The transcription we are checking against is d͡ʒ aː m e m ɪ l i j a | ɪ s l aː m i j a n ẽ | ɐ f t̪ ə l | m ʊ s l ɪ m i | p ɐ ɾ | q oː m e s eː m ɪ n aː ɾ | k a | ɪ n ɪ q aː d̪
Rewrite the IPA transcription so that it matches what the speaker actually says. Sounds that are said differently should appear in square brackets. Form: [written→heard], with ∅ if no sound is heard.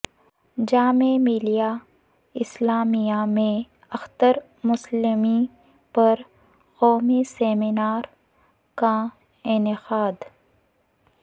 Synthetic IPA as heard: d͡ʒ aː m e m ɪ l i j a | ɪ s l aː m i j a [n→m] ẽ | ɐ [f→x] t̪ ə [l→ɾ] | m ʊ s l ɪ m i | p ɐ ɾ | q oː m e s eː m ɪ n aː ɾ | k a | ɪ n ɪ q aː d̪